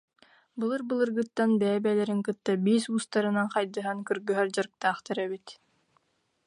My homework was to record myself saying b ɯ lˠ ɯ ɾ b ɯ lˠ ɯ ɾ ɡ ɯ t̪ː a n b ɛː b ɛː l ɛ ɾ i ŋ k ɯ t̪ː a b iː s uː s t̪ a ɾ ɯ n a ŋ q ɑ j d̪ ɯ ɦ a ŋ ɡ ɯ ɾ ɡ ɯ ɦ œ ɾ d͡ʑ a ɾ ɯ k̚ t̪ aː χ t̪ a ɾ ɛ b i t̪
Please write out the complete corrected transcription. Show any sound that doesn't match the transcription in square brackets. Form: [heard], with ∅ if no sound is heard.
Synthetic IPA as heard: b ɯ lˠ ɯ ɾ b ɯ lˠ ɯ ɾ ɡ ɯ t̪ː a n b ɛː b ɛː l ɛ ɾ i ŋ k ɯ t̪ː a b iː s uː s t̪ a ɾ ɯ n a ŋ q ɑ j d̪ ɯ ɦ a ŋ [k] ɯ ɾ ɡ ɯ ɦ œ ɾ d͡ʑ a ɾ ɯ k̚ t̪ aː χ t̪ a ɾ ɛ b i t̪